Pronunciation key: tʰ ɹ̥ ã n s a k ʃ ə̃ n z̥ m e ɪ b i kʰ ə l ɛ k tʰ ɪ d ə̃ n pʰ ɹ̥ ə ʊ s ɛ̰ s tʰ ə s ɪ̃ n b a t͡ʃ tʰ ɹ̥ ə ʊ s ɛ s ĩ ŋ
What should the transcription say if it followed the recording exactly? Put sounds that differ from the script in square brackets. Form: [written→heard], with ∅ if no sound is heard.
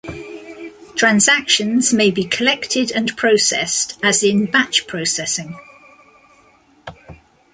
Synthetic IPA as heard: tʰ ɹ̥ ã n [s→z] a k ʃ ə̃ n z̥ m e ɪ b i kʰ ə l ɛ k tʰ ɪ d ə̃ n pʰ ɹ̥ ə ʊ s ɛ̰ s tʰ ə [s→z] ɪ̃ n b a t͡ʃ [tʰ→pʰ] ɹ̥ ə ʊ s ɛ s [ĩ→ɪ̃] ŋ